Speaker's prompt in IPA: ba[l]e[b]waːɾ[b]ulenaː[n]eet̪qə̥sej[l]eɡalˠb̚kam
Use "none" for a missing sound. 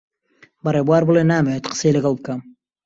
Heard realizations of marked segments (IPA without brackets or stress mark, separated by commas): ɾ, b, b, m, l